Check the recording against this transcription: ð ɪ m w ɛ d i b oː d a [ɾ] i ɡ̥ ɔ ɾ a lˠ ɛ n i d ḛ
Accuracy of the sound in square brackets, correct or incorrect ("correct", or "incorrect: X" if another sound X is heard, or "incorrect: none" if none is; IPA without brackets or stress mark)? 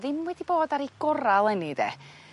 correct